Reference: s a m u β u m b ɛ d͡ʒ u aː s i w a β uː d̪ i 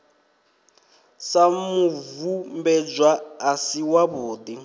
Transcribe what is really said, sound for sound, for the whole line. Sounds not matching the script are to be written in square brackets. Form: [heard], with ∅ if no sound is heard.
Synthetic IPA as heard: s a m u [v] u m b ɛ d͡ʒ [w] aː s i w a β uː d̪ i